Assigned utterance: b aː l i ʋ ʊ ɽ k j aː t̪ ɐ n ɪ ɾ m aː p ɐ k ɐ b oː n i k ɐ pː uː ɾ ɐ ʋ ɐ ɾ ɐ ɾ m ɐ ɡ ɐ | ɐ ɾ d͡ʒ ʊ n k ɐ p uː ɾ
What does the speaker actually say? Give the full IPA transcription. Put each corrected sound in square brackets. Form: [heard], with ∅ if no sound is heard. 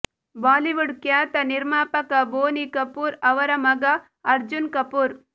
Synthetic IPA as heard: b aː l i ʋ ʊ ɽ k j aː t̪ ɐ n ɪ ɾ m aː p ɐ k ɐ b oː n i k ɐ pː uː ɾ ɐ ʋ ɐ ɾ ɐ [∅] m ɐ ɡ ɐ | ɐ ɾ d͡ʒ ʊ n k ɐ p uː ɾ